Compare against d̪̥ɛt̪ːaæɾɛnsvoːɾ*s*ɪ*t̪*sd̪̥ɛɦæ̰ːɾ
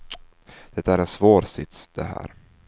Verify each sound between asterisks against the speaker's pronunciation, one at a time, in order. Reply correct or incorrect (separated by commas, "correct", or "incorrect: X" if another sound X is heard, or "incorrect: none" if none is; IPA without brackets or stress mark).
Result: correct, correct